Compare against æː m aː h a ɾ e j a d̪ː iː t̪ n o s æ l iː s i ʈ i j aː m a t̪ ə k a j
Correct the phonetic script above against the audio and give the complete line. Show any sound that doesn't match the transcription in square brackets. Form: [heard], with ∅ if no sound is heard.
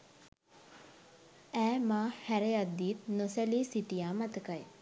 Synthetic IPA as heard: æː m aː h [æ] ɾ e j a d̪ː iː t̪ n o s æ l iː s i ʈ i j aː m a t̪ ə k a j